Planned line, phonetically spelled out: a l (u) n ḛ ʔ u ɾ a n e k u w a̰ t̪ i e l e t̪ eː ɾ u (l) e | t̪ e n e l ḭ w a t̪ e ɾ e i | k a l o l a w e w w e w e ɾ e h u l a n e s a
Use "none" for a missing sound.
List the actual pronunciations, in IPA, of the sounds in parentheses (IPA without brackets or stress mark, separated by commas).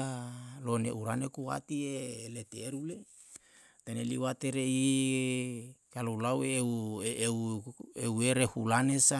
o, l